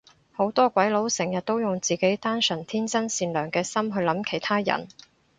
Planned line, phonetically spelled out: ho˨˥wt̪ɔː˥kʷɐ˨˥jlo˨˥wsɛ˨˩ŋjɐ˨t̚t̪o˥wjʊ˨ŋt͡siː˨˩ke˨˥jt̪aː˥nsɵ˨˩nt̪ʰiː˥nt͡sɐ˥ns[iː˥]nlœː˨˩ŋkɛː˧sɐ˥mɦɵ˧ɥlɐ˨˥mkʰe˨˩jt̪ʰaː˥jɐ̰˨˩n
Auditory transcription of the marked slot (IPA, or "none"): iː˧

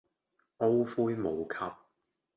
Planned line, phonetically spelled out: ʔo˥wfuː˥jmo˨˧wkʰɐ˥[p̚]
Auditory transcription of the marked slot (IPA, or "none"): p̚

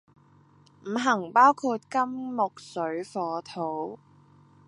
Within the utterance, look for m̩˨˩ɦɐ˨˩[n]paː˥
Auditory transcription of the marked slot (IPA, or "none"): ŋ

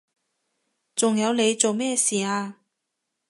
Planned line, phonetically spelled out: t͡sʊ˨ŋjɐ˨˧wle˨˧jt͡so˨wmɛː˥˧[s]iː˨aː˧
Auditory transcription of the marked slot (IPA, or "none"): s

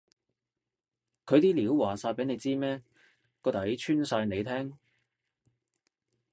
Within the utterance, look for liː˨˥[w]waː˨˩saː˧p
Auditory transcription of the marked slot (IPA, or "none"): w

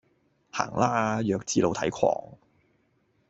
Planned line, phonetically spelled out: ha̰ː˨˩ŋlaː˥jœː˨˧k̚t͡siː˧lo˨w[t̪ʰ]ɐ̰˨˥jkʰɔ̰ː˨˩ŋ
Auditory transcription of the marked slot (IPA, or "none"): t̪ʰ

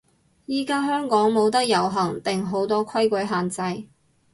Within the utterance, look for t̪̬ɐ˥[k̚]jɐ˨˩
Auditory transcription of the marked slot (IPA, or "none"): k̚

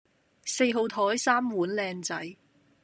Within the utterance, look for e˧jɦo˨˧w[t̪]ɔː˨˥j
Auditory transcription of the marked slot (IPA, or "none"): t̪ʰ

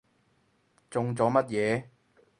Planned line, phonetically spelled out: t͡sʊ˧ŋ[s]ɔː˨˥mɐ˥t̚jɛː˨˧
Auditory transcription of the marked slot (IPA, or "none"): t͡s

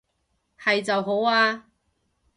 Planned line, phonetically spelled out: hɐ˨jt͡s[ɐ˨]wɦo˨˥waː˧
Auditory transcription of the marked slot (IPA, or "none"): ɐ˨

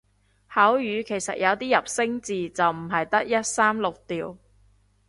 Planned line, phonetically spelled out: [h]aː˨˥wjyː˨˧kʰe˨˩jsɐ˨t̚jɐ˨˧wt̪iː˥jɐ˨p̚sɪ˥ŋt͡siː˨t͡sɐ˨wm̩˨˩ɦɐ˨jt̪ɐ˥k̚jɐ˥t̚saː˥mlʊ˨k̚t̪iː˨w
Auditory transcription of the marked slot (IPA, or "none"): h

